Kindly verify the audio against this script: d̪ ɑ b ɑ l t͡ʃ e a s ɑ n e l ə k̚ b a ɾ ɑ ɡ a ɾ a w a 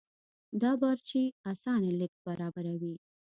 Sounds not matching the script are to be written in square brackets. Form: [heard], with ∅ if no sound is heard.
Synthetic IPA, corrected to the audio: d̪ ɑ b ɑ [ɾ] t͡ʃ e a s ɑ n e l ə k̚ b a ɾ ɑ [b] a ɾ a w [i]